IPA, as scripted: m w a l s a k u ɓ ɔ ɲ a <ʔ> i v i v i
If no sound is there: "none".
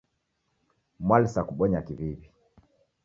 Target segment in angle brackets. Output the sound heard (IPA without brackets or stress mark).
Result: k